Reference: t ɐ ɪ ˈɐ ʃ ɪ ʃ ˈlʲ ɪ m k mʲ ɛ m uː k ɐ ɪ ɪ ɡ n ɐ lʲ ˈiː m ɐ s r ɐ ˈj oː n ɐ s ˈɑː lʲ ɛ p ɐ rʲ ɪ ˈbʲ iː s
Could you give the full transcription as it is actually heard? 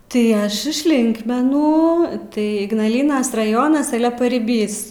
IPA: t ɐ ɪ ˈɐ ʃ ɪ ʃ ˈlʲ ɪ ŋ k mʲ ɛ n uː t ɐ ɪ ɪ ɡ n ɐ lʲ ˈiː n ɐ s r ɐ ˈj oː n ɐ s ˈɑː lʲ ɛ p ɐ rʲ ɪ ˈbʲ iː s

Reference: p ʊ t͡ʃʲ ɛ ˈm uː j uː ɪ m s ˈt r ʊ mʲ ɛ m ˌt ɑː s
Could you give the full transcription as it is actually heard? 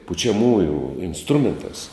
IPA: p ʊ t͡ʃʲ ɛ ˈm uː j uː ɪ n s ˈt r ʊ mʲ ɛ n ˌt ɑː s

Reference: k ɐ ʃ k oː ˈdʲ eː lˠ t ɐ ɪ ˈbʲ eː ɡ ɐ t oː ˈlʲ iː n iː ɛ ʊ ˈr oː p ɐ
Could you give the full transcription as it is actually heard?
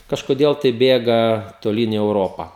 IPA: k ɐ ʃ k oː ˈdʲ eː lˠ t ɐ ɪ ˈbʲ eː ɡ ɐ t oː ˈlʲ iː n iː ɛ ʊ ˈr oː p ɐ

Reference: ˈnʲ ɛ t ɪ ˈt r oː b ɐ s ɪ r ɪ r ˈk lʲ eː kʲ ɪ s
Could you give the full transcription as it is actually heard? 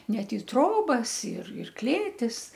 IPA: ˈnʲ ɛ t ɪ ˈt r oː b ɐ s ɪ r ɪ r ˈk lʲ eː tʲ ɪ s

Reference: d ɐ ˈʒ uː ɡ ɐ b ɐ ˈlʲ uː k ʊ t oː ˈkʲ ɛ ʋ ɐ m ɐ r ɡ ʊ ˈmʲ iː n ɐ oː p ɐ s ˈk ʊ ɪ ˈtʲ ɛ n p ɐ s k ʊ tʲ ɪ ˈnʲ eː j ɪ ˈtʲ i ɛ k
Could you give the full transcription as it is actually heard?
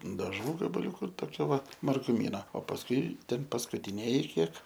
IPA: d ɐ ˈʒ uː ɡ ɐ b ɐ ˈlʲ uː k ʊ t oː ˈkʲ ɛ ʋ ɐ m ɐ r ɡ ʊ ˈmʲ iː n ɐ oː p ɐ s ˈk ʊ ɪ ˈtʲ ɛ n p ɐ s k ʊ tʲ ɪ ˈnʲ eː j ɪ ˈkʲ i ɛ k

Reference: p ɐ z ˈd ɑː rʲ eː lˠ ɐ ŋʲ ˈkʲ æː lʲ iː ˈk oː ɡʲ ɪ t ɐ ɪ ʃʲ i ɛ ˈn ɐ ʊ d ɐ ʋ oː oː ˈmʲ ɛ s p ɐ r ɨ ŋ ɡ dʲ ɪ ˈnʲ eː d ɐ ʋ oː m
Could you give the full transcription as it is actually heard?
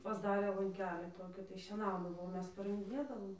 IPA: p ɐ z ˈd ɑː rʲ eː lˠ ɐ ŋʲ ˈkʲ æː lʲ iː ˈt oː kʲ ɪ t ɐ ɪ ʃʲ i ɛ ˈn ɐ ʊ d ɐ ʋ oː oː ˈmʲ ɛ s p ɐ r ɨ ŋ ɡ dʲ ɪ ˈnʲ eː d ɐ ʋ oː m

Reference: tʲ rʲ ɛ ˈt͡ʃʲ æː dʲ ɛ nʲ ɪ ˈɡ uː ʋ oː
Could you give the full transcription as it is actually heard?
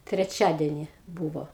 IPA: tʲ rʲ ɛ ˈt͡ʃʲ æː dʲ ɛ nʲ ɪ ˈb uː ʋ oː

